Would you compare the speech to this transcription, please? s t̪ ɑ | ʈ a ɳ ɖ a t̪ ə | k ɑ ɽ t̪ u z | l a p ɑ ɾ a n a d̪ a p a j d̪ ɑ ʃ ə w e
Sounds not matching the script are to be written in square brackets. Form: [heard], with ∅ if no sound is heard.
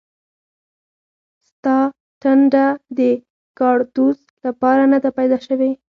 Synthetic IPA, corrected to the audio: s t̪ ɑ | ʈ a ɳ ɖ a [d̪] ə | k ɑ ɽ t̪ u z | l a p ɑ ɾ a n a d̪ a p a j d̪ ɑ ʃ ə w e